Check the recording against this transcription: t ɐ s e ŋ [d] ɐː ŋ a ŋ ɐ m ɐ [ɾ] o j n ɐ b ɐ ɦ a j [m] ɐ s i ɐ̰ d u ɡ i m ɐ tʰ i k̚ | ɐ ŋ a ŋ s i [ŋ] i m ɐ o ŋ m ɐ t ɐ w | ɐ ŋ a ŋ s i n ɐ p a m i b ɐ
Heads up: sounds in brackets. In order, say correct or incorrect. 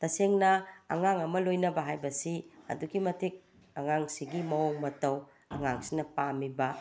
incorrect: n, incorrect: l, incorrect: b, incorrect: ɡ

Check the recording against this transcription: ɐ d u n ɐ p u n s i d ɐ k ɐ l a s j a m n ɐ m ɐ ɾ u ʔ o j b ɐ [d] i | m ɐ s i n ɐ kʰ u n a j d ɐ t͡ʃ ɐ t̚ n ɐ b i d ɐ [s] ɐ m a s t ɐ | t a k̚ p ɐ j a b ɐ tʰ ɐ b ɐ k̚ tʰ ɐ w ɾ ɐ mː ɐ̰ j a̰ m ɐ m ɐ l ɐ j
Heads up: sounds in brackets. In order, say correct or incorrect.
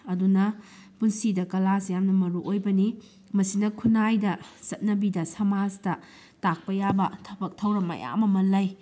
incorrect: n, correct

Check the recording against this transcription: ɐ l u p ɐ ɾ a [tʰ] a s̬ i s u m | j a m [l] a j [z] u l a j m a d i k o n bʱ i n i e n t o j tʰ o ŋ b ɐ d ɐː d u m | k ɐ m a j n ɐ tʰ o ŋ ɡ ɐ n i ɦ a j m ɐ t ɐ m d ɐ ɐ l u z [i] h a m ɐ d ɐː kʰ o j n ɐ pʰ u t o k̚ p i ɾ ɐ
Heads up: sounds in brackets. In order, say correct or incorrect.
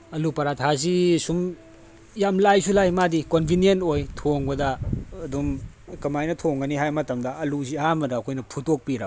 correct, correct, incorrect: s, correct

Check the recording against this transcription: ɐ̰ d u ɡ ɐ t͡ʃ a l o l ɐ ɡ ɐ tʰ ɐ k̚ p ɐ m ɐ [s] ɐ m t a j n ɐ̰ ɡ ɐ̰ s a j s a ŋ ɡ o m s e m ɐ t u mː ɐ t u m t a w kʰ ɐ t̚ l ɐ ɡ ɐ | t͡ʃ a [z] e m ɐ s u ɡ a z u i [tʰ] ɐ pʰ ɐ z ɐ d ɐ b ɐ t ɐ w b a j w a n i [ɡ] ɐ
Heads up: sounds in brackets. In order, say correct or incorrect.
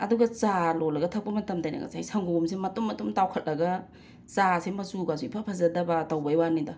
incorrect: t, incorrect: s, incorrect: pʰ, incorrect: d

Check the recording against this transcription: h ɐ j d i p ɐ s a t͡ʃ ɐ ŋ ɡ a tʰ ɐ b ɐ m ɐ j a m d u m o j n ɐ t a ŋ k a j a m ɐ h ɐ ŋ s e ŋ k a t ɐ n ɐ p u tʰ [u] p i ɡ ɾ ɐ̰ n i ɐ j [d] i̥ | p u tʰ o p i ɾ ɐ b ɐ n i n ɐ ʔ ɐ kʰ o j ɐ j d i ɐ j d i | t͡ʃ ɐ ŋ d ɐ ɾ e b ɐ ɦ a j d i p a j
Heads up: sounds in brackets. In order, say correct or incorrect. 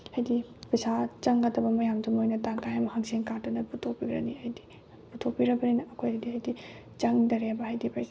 incorrect: o, correct

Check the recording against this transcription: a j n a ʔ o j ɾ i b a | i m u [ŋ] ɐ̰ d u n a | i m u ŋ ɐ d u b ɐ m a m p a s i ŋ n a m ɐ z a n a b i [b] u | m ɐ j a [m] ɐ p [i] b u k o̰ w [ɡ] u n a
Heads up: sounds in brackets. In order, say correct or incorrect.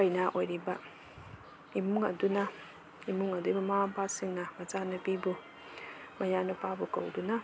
correct, correct, incorrect: n, incorrect: a, incorrect: d

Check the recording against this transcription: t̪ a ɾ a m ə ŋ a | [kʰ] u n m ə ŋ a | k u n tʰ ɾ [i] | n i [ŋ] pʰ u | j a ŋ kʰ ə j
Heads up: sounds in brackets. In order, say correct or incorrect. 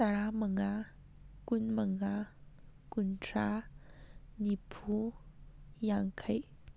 incorrect: k, incorrect: a, incorrect: none

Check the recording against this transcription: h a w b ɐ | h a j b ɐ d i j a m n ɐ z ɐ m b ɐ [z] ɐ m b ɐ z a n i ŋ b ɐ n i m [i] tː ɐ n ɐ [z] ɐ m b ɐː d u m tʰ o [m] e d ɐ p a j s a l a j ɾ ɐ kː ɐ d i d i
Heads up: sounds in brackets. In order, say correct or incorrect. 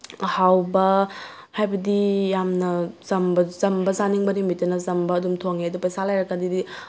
correct, correct, correct, incorrect: ŋ

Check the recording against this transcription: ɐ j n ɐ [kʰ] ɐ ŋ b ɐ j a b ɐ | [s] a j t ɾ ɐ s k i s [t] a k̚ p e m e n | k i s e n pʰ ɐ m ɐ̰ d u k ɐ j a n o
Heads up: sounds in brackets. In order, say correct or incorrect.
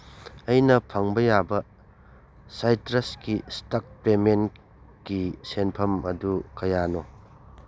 incorrect: pʰ, correct, correct

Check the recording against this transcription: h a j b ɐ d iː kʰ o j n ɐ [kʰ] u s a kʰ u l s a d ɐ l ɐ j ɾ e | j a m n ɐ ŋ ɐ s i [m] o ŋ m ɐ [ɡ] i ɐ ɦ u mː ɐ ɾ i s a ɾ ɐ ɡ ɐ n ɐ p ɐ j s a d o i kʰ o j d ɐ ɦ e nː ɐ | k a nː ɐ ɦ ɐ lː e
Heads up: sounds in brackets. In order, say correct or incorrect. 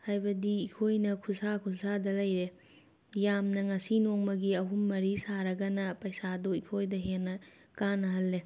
correct, incorrect: n, correct

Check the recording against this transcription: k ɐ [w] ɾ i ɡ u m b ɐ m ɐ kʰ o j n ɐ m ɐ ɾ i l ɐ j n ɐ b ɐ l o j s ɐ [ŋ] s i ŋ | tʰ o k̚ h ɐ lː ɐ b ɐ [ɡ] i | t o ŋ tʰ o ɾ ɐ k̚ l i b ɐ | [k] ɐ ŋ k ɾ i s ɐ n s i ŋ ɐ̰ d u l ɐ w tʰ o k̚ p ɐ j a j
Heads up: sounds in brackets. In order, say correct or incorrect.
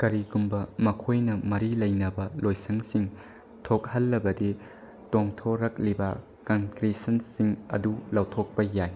incorrect: none, correct, incorrect: d, correct

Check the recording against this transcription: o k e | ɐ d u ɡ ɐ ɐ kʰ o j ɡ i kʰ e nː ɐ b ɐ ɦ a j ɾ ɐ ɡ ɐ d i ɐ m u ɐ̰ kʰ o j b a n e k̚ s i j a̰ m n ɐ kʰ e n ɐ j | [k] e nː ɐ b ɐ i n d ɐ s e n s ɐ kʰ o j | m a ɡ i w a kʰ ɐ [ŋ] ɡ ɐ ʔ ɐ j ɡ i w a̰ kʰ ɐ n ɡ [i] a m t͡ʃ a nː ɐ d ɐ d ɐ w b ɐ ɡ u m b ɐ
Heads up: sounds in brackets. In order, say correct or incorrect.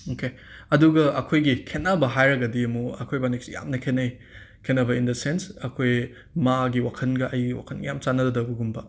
incorrect: kʰ, incorrect: n, incorrect: j

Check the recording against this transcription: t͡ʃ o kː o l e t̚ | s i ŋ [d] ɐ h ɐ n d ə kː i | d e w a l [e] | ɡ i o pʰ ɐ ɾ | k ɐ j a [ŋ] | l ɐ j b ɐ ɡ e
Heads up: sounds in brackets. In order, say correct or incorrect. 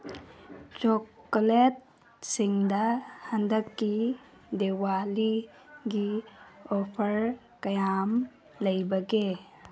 correct, incorrect: i, incorrect: m

